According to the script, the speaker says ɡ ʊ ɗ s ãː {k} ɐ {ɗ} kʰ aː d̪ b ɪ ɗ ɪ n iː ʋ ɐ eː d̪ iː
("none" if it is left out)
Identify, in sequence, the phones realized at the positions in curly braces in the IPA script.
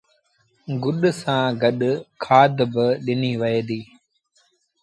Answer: ɡ, ɗ

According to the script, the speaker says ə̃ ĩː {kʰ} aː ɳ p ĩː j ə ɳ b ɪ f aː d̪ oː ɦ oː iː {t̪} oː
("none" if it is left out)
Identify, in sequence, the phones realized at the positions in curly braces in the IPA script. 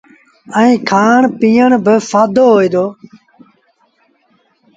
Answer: kʰ, d̪

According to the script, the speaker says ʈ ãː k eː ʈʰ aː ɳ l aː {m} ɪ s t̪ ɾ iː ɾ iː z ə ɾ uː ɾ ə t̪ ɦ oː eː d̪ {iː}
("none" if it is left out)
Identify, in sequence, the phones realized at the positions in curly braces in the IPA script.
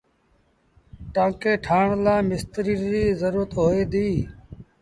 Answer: m, iː

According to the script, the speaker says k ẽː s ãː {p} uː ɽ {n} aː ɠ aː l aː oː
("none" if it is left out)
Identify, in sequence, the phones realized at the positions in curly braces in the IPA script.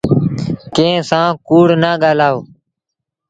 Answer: k, n

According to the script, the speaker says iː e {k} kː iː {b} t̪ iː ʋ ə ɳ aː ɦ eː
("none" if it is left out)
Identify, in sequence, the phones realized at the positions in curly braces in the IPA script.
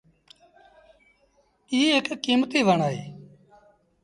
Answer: k, m

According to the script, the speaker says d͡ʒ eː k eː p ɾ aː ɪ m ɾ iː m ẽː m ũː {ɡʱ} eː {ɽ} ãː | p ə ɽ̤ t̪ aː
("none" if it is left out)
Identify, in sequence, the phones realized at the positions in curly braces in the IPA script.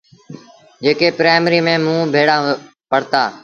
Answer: bʱ, ɽ

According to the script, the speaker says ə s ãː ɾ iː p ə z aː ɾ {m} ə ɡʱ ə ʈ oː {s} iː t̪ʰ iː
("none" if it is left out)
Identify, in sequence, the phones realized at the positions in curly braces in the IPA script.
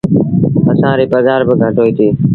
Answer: b, none

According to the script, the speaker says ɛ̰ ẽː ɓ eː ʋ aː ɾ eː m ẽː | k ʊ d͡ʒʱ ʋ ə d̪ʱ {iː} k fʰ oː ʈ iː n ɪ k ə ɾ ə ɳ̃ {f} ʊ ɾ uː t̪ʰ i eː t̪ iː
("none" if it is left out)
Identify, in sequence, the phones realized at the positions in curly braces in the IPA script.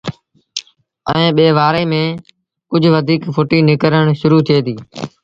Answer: iː, ʃ

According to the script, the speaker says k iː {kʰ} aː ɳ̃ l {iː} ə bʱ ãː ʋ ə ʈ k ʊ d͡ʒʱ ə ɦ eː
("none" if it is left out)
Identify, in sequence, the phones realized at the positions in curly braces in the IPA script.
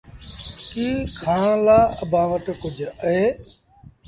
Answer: kʰ, aː

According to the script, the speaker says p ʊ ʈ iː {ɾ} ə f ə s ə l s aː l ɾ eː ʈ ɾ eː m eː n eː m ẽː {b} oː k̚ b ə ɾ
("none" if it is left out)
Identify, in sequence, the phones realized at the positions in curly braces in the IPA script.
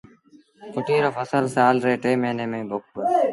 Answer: ɾ, b

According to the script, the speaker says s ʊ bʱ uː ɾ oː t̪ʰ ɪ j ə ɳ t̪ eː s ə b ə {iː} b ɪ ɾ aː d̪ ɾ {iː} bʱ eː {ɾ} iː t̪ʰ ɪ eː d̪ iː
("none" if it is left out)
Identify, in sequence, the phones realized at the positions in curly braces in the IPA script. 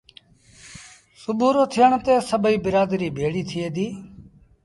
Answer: iː, iː, ɽ

